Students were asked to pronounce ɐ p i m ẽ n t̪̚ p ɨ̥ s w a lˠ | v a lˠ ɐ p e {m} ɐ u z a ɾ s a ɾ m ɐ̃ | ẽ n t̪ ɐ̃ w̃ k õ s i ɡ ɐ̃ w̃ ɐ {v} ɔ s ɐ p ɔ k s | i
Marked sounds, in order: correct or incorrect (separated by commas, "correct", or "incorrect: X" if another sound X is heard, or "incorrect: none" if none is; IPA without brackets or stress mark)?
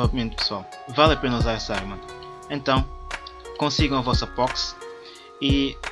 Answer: incorrect: n, correct